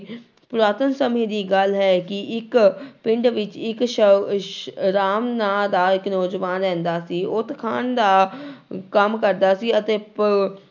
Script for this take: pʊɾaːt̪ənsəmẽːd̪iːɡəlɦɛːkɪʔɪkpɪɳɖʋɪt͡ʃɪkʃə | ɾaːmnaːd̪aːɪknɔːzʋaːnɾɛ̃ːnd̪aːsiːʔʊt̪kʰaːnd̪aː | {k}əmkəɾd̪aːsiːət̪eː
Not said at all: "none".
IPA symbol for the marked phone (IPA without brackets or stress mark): k